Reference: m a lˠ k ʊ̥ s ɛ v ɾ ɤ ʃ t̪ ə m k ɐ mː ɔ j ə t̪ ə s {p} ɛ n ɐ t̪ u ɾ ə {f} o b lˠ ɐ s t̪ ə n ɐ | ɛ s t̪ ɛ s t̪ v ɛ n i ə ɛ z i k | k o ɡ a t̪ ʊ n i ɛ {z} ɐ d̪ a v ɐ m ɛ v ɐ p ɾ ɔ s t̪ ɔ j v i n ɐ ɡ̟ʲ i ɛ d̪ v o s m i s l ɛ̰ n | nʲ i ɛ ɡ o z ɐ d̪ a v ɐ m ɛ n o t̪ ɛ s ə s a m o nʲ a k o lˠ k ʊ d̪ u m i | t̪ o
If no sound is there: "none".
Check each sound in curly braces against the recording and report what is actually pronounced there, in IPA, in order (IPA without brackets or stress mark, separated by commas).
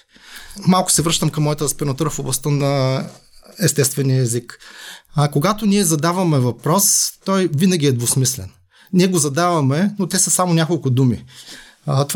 p, f, z